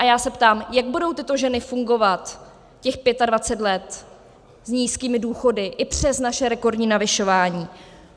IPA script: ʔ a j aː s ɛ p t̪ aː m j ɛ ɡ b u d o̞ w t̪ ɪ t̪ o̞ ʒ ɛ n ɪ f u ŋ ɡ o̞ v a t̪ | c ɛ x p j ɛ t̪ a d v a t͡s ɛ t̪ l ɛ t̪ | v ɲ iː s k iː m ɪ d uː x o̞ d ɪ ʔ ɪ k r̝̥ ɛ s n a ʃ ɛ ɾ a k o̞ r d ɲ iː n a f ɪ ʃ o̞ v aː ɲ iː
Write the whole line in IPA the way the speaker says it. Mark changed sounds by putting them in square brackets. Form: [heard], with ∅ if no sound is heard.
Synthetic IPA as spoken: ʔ a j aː s ɛ p t̪ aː m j [a] ɡ b u d o̞ w t̪ ɪ t̪ o̞ ʒ ɛ n ɪ f u ŋ ɡ o̞ v a t̪ | c ɛ x p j ɛ t̪ a d v a t͡s ɛ t̪ l ɛ t̪ | [z] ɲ iː s k iː m ɪ d uː x o̞ d ɪ ʔ ɪ [p] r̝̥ ɛ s n a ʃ ɛ ɾ [ɛ] k o̞ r d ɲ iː n a [v] ɪ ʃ o̞ v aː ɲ iː